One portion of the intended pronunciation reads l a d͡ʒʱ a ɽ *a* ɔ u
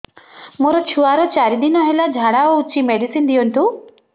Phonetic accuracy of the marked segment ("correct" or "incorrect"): correct